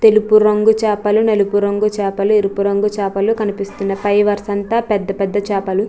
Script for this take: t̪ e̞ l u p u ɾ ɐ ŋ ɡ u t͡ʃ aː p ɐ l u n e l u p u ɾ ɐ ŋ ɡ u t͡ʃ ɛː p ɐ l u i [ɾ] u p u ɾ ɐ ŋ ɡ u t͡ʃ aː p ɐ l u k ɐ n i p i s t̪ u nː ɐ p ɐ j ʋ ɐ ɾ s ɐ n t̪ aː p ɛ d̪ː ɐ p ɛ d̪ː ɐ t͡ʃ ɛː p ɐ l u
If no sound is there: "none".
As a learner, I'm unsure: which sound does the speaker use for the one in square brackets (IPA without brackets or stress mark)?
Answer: ɾ